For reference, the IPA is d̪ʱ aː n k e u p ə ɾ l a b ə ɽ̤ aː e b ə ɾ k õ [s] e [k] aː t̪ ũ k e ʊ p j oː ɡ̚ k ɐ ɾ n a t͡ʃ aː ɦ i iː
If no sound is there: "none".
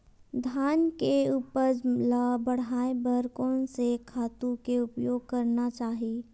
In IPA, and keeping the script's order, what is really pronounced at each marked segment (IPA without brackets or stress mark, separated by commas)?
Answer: s, kʰ